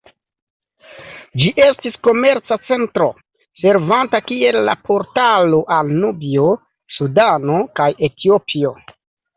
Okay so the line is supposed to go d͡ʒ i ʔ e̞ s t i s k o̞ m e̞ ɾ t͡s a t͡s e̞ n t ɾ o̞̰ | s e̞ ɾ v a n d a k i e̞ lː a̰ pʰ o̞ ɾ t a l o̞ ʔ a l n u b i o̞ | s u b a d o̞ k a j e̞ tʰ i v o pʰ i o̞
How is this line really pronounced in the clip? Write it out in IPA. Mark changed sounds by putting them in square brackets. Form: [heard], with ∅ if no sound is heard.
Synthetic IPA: d͡ʒ i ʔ e̞ s t i s k o̞ m e̞ ɾ t͡s a t͡s e̞ n t ɾ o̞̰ | s e̞ ɾ v a n [t] a k i e̞ lː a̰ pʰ o̞ ɾ t a l o̞ ʔ a l n u b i o̞ | s u [d] a [n] o̞ k a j e̞ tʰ i [∅] o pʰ i o̞

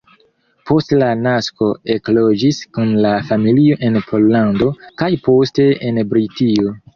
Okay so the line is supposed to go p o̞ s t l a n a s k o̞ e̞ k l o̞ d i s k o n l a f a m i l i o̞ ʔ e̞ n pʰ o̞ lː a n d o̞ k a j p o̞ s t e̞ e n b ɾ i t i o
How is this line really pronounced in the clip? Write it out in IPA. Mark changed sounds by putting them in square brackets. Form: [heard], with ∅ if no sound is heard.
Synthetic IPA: p o̞ s t l a n a s k o̞ e̞ k l o̞ [d͡ʒ] i s k [u] n l a f a m i l i o̞ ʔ e̞ n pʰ o̞ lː a n d o̞ k a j p o̞ s t e̞ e n b ɾ i t i o

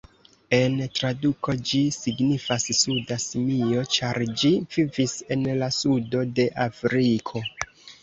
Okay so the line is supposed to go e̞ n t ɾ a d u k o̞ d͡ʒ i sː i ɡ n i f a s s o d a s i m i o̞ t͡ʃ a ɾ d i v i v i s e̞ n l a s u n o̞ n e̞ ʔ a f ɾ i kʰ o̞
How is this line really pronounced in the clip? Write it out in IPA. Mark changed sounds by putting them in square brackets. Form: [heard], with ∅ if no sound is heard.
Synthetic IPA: e̞ n t ɾ a d u k o̞ d͡ʒ i [s] i ɡ n i f a s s [u] d a s i m i o̞ t͡ʃ a ɾ [d͡ʒ] i v i v i s e̞ n l a s u [d] o̞ [d] e̞ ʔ a f ɾ i kʰ o̞

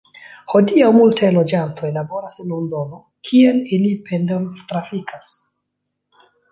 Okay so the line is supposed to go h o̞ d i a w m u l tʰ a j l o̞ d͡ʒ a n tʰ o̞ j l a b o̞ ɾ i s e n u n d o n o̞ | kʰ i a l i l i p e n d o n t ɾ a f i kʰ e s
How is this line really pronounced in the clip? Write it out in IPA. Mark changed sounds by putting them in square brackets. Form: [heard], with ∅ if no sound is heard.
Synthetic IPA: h o̞ d i a w m u l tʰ a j l o̞ d͡ʒ a n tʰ o̞ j l a b o̞ ɾ [a] s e n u n d o n o̞ | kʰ i [e] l i l i p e n d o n t ɾ a f i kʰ [a] s

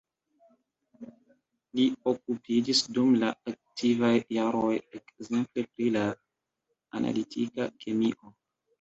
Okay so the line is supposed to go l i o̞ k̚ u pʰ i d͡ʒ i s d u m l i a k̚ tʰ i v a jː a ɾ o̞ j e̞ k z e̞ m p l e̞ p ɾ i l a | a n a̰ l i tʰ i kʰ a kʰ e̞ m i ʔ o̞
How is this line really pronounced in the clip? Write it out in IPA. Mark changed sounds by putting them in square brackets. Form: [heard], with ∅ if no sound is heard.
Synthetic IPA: l i o̞ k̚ u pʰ i d͡ʒ i s d u m l [a] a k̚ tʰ i v a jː a ɾ o̞ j e̞ k z e̞ m p l e̞ p ɾ i l a | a n a̰ l i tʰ i [k] a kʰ e̞ m i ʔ o̞

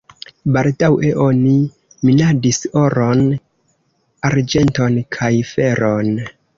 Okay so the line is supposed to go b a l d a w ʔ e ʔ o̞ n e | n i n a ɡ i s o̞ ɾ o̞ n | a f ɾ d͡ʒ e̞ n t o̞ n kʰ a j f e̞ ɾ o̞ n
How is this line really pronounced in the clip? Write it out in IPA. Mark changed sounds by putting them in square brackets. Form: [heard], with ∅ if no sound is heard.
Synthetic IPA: b a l d a w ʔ e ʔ o̞ n [i] | [m] i n a [d] i s o̞ ɾ o̞ n | a [∅] ɾ d͡ʒ e̞ n t o̞ n kʰ a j f e̞ ɾ o̞ n

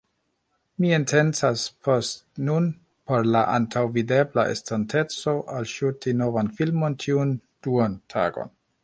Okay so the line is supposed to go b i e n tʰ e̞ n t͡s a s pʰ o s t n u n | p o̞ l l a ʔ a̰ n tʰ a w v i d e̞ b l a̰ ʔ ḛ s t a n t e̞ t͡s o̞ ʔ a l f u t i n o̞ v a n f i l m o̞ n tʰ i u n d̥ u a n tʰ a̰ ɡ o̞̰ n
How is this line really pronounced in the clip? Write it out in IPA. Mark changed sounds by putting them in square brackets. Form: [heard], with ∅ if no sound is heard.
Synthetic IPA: [m] i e n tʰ e̞ n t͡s a s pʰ o s t n u n | p o̞ [ɾ] l a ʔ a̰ n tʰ a w v i d e̞ b l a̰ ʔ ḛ s t a n t e̞ t͡s o̞ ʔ a l [ʃ] u t i n o̞ v a n f i l m o̞ n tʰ i u n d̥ u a n tʰ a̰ ɡ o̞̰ n

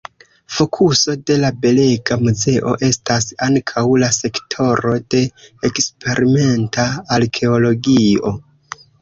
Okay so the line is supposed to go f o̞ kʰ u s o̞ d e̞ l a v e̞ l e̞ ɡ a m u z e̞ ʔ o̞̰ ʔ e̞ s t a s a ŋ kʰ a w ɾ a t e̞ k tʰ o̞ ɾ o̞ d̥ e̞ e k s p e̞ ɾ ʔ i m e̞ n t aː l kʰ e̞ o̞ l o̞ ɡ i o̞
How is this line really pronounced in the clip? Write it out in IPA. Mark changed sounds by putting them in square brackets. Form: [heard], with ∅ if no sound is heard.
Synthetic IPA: f o̞ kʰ u s o̞ d e̞ l a [b] e̞ l e̞ ɡ a m u z e̞ ʔ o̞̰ ʔ e̞ s t a s a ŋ kʰ a w [l] a [s] e̞ k tʰ o̞ ɾ o̞ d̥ e̞ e k s p e̞ ɾ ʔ i m e̞ n t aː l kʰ e̞ o̞ l o̞ ɡ i o̞

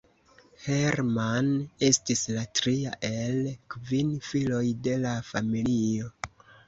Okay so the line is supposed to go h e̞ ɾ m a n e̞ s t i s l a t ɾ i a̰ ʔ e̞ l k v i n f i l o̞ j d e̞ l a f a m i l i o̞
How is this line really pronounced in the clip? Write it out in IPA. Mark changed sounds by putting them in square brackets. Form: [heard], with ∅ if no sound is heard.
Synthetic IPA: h e̞ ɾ m a n e̞ s t i s l a t ɾ i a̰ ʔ e̞ l k v i n f i l o̞ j d e̞ l a f a m i l i o̞

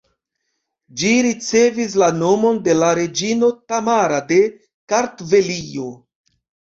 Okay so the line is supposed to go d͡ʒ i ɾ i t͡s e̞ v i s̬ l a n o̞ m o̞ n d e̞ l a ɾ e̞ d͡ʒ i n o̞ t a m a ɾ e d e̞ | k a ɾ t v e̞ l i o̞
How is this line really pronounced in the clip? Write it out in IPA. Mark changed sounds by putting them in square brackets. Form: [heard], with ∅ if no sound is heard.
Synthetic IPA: d͡ʒ i ɾ i t͡s e̞ v i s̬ l a n o̞ m o̞ n d e̞ l a ɾ e̞ d͡ʒ i n o̞ t a m a ɾ [a] d e̞ | k a ɾ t v e̞ l i o̞

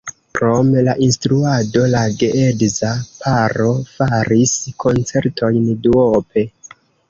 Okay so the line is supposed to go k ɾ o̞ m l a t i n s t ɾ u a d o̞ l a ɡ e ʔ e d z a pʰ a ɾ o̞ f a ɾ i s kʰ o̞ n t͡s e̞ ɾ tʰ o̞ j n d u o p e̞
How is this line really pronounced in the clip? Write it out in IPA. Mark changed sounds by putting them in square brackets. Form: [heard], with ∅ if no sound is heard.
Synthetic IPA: k ɾ o̞ m l a [ʔ] i n s t ɾ u a d o̞ l a ɡ e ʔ e d z a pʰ a ɾ o̞ f a ɾ i s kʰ o̞ n t͡s e̞ ɾ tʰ o̞ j n d u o p e̞

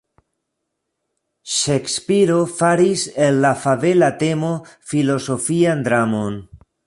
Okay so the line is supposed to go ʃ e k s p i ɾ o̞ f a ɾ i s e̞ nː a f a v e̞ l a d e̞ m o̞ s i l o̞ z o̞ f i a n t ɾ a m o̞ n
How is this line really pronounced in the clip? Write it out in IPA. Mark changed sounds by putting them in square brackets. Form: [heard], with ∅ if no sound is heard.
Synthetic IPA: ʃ e k s p i ɾ o̞ f a ɾ i s e̞ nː a f a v e̞ l a [t] e̞ m o̞ [f] i l o̞ [s] o̞ f i a n [d] ɾ a m o̞ n

